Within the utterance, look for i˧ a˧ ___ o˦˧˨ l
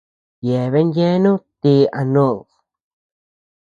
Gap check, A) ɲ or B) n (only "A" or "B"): B